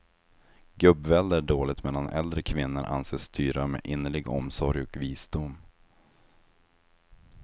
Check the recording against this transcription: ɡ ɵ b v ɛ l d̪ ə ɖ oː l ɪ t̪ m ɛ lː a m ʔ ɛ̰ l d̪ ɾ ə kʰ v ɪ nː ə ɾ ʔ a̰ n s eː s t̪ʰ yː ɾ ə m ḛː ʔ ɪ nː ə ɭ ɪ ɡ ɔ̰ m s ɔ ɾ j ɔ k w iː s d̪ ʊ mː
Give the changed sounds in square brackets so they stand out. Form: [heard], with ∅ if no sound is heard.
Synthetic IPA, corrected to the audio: ɡ ɵ b v ɛ l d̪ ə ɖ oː l ɪ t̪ m ɛ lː a [n] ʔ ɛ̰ l d̪ ɾ ə kʰ v ɪ nː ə ɾ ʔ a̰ n s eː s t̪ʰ yː ɾ [a] m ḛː ʔ ɪ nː ə ɭ ɪ ɡ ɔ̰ m s ɔ ɾ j ɔ k [v] iː s d̪ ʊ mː